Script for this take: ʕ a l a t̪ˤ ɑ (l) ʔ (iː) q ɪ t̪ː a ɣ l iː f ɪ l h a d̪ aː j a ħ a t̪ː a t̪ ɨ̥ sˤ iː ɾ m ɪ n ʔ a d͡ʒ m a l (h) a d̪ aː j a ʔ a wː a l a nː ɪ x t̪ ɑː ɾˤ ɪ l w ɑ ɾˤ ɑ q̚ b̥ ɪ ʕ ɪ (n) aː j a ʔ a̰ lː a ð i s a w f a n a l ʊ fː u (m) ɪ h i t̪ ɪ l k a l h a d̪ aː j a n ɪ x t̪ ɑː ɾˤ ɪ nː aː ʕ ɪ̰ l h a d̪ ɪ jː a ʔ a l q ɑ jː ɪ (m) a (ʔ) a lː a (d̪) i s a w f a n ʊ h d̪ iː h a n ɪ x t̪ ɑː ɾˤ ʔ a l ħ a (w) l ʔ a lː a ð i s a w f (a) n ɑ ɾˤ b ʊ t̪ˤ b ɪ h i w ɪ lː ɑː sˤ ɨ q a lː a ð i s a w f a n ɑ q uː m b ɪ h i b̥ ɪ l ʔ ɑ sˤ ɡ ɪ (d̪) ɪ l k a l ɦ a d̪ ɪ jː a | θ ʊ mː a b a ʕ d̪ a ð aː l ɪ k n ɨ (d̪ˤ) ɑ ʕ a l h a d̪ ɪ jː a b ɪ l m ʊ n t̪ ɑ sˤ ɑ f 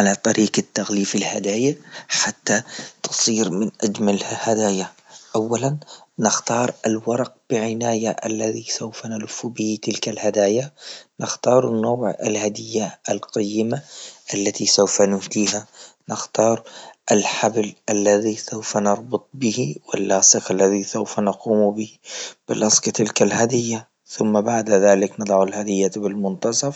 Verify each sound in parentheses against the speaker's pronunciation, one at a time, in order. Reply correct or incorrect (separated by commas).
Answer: incorrect, correct, correct, correct, incorrect, correct, correct, incorrect, incorrect, correct, incorrect, correct